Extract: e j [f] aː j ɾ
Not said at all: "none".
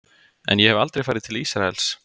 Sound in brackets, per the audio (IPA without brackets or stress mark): f